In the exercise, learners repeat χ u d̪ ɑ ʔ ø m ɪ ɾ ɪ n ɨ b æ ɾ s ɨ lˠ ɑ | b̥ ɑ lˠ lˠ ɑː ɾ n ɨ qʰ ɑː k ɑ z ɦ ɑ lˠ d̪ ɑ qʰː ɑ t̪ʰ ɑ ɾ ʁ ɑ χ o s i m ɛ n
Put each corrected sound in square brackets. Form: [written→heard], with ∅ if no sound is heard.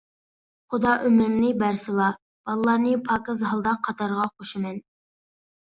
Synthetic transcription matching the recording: χ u d̪ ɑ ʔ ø m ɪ ɾ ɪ n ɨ b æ ɾ s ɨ lˠ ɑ | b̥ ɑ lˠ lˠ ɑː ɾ n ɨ [qʰ→pʰ] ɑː k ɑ z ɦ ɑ lˠ d̪ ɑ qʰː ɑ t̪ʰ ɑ ɾ ʁ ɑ χ o [s→ʃ] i m ɛ n

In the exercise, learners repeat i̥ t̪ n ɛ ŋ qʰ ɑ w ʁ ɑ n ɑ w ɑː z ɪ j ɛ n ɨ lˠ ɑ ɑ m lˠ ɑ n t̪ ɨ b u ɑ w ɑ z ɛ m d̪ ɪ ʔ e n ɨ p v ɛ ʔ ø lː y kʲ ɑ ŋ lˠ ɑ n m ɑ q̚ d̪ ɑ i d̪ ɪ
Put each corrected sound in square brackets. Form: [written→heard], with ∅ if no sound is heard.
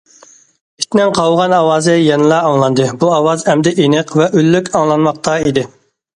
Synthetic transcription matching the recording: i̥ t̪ n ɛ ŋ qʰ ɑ w ʁ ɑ n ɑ w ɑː z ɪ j ɛ n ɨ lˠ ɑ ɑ [m→ŋ] lˠ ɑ n [t̪→d̪] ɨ b u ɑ w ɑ z ɛ m d̪ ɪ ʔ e n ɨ [p→q] v ɛ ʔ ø lː y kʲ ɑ ŋ lˠ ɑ n m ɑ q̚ [d̪→t̪] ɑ i d̪ ɪ

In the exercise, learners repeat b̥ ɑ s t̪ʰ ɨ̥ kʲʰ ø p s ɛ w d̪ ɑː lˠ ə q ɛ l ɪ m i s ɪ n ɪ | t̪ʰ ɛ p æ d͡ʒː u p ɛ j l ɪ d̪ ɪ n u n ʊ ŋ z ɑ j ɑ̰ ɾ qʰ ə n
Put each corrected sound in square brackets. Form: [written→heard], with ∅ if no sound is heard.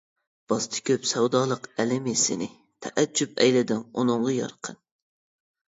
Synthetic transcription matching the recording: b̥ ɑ s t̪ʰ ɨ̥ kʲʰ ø p s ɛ w d̪ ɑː lˠ ə q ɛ l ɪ m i s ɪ n ɪ | t̪ʰ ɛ [p→ʔ] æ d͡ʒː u p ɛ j l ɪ d̪ ɪ n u n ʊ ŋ [z→ʁ] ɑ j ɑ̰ ɾ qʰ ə n

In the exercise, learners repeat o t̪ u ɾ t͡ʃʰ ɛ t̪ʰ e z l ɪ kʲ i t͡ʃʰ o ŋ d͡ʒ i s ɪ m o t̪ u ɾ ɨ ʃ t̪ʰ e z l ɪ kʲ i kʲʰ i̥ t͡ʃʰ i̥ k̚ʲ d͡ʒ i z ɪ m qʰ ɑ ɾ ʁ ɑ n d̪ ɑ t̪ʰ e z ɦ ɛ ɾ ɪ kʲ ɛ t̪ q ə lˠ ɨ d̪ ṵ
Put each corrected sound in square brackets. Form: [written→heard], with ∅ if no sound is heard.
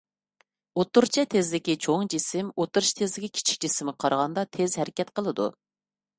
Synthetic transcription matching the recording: o t̪ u ɾ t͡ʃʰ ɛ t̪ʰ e z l ɪ kʲ i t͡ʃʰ o ŋ d͡ʒ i s ɪ m o t̪ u ɾ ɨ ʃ t̪ʰ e z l ɪ kʲ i kʲʰ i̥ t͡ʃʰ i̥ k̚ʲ d͡ʒ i [z→s] ɪ m qʰ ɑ ɾ ʁ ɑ n d̪ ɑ t̪ʰ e z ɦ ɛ ɾ ɪ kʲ ɛ t̪ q ə lˠ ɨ d̪ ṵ

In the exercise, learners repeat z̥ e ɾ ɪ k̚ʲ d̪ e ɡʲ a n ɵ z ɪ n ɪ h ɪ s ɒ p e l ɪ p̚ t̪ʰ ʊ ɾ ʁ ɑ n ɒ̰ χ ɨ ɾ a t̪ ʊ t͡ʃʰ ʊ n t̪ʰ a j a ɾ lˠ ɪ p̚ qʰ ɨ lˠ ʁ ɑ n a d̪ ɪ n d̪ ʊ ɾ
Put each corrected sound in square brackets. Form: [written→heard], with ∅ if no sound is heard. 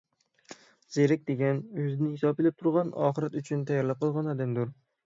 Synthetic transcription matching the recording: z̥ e ɾ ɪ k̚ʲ d̪ e ɡʲ a n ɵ z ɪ n ɪ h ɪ s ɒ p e l ɪ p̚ t̪ʰ ʊ ɾ ʁ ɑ n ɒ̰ χ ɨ ɾ a t̪ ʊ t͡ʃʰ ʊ n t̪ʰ a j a ɾ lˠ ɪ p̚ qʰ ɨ lˠ ʁ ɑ n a d̪ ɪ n d̪ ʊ ɾ

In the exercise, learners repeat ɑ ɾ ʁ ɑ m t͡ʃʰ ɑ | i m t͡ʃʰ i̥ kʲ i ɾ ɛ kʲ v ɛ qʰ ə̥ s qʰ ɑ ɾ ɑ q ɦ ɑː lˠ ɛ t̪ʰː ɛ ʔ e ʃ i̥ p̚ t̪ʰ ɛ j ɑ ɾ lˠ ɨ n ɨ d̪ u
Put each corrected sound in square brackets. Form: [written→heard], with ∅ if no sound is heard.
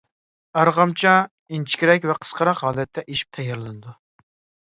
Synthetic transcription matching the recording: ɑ ɾ ʁ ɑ m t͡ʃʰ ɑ | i [m→n] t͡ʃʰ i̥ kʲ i ɾ ɛ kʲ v ɛ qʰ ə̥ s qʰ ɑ ɾ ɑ q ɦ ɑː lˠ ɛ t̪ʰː ɛ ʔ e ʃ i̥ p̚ t̪ʰ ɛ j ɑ ɾ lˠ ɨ n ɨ d̪ u

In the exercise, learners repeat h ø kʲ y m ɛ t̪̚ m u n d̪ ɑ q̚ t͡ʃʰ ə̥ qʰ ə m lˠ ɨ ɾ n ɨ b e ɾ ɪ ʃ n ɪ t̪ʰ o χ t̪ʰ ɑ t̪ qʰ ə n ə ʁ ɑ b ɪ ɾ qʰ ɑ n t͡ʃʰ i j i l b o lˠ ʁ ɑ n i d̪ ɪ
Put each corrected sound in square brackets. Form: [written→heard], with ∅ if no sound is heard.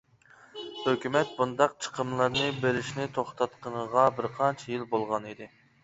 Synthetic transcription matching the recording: h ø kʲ y m ɛ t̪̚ [m→b] u n d̪ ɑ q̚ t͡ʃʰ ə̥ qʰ ə m lˠ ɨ ɾ n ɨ b e ɾ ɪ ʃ n ɪ t̪ʰ o χ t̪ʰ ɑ t̪ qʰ ə n ə ʁ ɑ b ɪ ɾ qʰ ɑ n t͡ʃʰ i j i l b o lˠ ʁ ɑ n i d̪ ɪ

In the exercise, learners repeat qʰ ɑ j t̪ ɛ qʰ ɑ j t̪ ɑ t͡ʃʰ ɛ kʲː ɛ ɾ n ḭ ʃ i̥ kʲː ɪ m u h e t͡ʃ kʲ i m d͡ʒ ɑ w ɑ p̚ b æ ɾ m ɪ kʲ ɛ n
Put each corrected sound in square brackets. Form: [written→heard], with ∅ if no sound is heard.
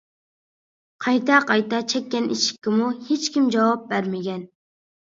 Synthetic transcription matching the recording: qʰ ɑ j t̪ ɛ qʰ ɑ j t̪ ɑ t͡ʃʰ ɛ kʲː ɛ [ɾ→∅] n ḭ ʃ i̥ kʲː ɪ m u h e t͡ʃ kʲ i m d͡ʒ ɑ w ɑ p̚ b æ ɾ m ɪ [kʲ→ɡʲ] ɛ n

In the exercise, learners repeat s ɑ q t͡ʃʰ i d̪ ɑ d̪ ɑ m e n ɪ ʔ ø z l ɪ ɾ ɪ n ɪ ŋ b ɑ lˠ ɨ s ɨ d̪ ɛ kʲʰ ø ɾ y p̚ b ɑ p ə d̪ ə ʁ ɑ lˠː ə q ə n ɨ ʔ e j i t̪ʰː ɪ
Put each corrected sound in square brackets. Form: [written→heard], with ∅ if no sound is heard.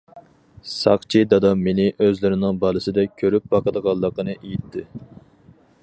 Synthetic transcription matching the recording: s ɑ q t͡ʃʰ i d̪ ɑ d̪ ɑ m e n ɪ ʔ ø z l ɪ ɾ ɪ n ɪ ŋ b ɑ lˠ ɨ s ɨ d̪ ɛ kʲʰ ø ɾ y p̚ b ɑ [p→q] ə d̪ ə ʁ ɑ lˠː ə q ə n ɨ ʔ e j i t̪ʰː ɪ

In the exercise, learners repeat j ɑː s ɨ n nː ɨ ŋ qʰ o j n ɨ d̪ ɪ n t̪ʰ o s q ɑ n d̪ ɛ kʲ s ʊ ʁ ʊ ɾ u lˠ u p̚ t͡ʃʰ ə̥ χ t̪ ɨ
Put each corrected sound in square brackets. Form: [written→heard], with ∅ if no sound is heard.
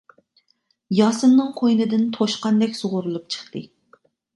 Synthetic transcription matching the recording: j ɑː s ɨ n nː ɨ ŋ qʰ o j n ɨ d̪ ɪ n t̪ʰ o [s→ʃ] q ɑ n d̪ ɛ kʲ s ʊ ʁ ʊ ɾ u lˠ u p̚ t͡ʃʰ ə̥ χ t̪ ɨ

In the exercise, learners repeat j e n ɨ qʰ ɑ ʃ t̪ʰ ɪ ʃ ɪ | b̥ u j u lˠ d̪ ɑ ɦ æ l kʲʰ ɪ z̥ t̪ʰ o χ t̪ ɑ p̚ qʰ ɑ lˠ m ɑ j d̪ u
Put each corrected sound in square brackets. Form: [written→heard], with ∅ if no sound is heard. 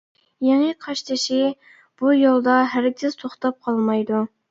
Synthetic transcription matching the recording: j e [n→ŋ] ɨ qʰ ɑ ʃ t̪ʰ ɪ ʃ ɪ | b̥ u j [u→o] lˠ d̪ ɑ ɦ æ [l→ɾ] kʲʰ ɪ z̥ t̪ʰ o χ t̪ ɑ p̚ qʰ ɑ lˠ m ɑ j d̪ u

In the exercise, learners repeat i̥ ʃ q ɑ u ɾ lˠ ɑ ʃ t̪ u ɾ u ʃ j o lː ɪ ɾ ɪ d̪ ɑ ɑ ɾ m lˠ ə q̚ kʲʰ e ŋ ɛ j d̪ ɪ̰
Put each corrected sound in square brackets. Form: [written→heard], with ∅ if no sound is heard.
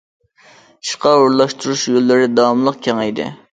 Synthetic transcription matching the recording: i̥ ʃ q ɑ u ɾ lˠ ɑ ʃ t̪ u ɾ u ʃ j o lː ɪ ɾ ɪ d̪ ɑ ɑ [ɾ→∅] m lˠ ə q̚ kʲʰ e ŋ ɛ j d̪ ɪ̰

